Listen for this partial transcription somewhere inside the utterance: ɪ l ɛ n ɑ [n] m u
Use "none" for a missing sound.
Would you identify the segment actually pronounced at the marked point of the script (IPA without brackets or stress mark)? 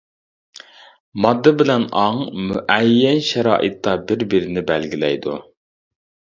ŋ